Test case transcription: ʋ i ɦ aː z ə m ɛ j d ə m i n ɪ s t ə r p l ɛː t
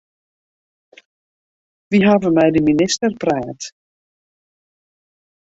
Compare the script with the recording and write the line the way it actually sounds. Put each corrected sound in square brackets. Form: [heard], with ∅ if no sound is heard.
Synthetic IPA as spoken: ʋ i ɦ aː [v] ə m ɛ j d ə m i n ɪ s t ə r p [r] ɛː t